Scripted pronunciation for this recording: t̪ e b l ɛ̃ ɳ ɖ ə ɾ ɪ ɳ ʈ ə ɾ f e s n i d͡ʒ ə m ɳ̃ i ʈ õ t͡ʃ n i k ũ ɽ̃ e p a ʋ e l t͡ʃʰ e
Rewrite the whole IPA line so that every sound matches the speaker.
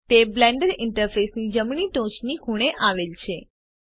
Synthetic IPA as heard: t̪ e b l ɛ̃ ɳ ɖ ə ɾ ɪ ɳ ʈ ə ɾ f e s n i d͡ʒ ə m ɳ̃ i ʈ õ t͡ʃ n i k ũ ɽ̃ e ʔ a ʋ e l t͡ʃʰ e

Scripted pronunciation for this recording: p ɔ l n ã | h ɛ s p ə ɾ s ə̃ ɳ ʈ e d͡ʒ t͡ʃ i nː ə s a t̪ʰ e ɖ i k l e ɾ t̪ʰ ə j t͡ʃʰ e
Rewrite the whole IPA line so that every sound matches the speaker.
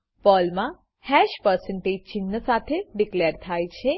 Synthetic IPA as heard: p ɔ l m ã | h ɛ ʃ p ə ɾ s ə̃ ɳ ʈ e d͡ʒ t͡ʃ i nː ə s a t̪ʰ e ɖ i k l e ɾ t̪ʰ a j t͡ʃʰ e

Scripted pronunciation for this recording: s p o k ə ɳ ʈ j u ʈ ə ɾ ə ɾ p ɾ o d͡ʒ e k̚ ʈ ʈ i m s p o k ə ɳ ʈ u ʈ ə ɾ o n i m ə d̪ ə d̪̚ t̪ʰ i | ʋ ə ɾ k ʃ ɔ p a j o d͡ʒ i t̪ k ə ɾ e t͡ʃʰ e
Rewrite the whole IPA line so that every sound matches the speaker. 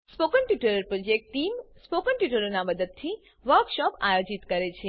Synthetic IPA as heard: s p o k ə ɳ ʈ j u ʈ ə ɾ ə ɾ p ɾ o d͡ʒ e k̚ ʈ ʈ i m s p o k ə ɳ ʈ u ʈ ə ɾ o n a m ə d̪ ə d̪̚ t̪ʰ i | ʋ ə ɾ k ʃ ɔ p a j o d͡ʒ i t̪ k ə ɾ e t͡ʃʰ e

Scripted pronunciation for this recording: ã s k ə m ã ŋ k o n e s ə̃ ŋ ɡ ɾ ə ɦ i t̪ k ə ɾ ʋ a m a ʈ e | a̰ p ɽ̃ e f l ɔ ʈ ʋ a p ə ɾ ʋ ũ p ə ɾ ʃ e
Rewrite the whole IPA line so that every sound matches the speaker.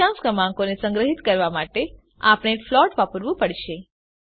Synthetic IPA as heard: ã s k ə m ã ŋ k o n e s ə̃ ŋ ɡ ɾ ə ɦ i t̪ k ə ɾ ʋ a m a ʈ e | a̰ p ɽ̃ e f l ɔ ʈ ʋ a p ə ɾ ʋ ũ p ə ɽ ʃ e

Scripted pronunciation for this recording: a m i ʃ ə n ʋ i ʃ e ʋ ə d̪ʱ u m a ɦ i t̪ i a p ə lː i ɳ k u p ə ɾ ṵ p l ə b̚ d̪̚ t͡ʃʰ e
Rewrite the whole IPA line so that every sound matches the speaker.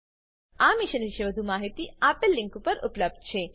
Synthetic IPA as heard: a m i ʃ ə n ʋ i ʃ e ʋ ə d̪ʱ u m a ɦ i t̪ i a p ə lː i ŋ k u p ə ɾ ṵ p l ə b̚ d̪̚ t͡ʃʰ e

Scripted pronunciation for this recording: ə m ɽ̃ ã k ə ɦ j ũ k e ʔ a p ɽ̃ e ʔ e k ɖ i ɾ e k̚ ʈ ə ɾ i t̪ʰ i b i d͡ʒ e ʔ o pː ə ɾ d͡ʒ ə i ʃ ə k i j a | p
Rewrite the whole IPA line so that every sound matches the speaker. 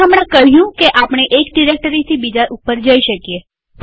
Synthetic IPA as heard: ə m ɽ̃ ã k ə ɦ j ũ k e ʔ a p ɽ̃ e ʔ e k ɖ i ɾ e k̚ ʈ ə ɾ i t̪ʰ i b i d͡ʒ a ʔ u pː ə ɾ d͡ʒ ə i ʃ ə k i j e | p

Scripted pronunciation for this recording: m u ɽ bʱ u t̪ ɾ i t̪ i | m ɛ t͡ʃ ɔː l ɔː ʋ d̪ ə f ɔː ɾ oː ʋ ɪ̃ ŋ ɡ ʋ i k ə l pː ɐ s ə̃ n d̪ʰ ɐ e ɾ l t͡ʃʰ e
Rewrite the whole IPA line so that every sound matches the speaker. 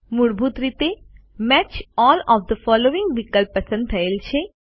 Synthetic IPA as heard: m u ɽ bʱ u t̪ ɾ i t̪ e | m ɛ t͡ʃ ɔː l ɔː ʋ d̪ ə f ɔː l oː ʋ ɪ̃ ŋ ɡ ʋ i k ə l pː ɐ s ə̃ n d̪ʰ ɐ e l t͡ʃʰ e

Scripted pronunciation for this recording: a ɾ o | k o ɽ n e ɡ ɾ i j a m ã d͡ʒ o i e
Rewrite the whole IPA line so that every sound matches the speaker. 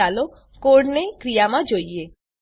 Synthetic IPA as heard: a l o | k o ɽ n e k ɾ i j a m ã d͡ʒ o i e

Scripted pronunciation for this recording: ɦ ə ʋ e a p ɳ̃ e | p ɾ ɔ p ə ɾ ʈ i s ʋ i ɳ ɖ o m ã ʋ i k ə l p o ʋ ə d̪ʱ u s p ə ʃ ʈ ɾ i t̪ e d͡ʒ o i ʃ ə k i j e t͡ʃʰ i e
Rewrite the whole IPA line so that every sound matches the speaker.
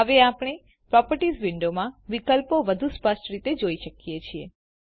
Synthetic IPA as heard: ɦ ə ʋ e a p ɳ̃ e | p ɾ ɔ p ə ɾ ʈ i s ʋ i ɳ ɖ o m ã ʋ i k ə l p o ʋ ə d̪ʱ u s p ə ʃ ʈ ɾ i t̪ e d͡ʒ o i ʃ ə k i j e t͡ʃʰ i e

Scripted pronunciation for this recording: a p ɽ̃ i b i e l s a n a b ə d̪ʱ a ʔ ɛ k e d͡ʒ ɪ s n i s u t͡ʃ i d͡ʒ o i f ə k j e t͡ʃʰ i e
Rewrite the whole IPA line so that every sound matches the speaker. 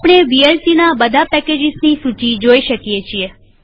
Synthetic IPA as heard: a p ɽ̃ e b i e l s i n a b ə d̪ʱ a p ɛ k e d͡ʒ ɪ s n i s u t͡ʃ i d͡ʒ o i ʃ ə k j e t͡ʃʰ i e

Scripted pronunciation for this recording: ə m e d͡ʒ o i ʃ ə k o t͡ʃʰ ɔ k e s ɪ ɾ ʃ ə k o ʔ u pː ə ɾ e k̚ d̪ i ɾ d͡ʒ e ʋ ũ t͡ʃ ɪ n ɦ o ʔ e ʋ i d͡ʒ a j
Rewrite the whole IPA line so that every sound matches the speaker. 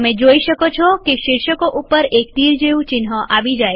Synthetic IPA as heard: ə m e d͡ʒ o i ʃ ə k o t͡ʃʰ ɔ k e ʃ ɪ ɾ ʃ ə k o ʔ u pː ə ɾ e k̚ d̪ i ɾ d͡ʒ e ʋ ũ t͡ʃ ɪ n ɦ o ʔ a ʋ i d͡ʒ a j

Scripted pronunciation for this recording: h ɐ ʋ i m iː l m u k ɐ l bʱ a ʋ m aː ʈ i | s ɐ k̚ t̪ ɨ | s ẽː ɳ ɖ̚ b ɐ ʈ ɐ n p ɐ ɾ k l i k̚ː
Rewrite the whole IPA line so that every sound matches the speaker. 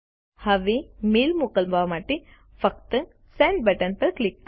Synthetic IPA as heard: h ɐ ʋ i m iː l m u k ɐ l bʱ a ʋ m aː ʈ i | f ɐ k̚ t̪ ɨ | s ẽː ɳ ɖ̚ b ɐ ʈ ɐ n p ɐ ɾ k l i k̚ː

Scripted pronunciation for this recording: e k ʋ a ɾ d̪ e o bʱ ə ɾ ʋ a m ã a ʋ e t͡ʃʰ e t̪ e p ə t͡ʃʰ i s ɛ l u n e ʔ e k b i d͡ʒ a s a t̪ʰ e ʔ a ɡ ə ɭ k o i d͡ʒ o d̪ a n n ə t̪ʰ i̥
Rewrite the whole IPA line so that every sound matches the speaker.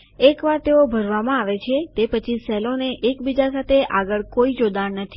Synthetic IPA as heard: e k ʋ a ɾ t̪ e o bʱ ə ɾ ʋ a m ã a ʋ e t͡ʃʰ e t̪ e p ə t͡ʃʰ i s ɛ l o n e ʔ e k b i d͡ʒ a s a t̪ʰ e ʔ a ɡ ə ɭ k o i d͡ʒ o d̪ a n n ə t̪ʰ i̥

